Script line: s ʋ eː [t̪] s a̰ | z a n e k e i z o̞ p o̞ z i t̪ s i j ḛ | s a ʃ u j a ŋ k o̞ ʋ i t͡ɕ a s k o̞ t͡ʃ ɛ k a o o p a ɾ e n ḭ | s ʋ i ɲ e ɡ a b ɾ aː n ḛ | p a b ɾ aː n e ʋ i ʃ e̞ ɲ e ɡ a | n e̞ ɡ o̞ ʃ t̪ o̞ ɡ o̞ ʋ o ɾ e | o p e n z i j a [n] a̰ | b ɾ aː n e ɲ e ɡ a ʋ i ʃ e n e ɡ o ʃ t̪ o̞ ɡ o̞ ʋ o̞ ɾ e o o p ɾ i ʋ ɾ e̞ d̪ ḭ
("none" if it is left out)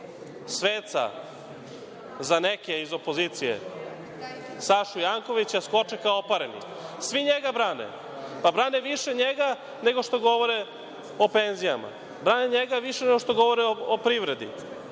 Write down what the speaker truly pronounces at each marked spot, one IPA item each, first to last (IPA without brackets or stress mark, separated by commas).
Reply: t̪, m